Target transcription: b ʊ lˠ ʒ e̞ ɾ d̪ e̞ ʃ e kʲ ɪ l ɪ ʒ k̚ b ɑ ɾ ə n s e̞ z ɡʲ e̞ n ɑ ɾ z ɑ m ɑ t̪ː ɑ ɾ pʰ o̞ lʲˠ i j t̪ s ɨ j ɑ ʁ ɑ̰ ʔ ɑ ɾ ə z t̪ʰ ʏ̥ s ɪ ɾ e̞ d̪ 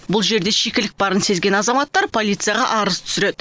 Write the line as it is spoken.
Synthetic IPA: b ʊ lˠ ʒ e̞ ɾ d̪ e̞ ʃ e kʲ ɪ l ɪ k̚ b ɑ ɾ ə n s e̞ z ɡʲ e̞ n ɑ z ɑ m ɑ t̪ː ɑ ɾ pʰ o̞ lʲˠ i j t̪ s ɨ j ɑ ʁ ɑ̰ ʔ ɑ ɾ ə z t̪ʰ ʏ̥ s ɪ ɾ e̞ d̪